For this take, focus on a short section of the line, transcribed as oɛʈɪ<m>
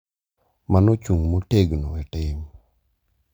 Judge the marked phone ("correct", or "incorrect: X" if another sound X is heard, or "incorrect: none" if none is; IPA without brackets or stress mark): correct